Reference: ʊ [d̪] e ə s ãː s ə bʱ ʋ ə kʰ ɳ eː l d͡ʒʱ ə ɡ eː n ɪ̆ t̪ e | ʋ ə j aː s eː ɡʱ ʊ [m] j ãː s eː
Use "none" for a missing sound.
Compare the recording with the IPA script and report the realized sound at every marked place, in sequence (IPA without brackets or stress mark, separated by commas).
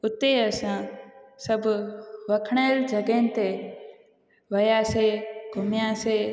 t̪, m